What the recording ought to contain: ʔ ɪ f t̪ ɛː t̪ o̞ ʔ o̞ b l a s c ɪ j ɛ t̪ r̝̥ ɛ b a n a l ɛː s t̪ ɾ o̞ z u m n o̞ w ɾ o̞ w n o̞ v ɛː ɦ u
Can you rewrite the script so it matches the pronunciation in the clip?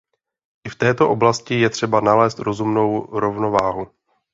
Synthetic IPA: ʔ ɪ f t̪ ɛː t̪ o̞ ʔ o̞ b l a s c ɪ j ɛ t̪ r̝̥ ɛ b a n a l ɛː s t̪ ɾ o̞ z u m n o̞ w ɾ o̞ v n o̞ v aː ɦ u